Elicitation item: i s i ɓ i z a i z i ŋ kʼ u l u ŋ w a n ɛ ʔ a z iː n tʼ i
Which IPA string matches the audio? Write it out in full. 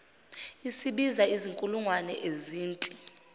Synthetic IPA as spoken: i s i ɓ i z a i z i ŋ kʼ u l u ŋ w a n ɛ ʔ e z iː n tʼ i